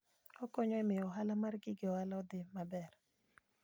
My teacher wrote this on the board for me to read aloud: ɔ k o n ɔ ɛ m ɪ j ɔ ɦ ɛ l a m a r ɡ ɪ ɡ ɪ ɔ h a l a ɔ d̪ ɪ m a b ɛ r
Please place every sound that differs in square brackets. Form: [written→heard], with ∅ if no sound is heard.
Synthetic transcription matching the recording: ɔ k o [n→ɲ] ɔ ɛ m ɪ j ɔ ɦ [ɛ→a] l a m a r ɡ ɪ ɡ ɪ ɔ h a l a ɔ d̪ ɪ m a b ɛ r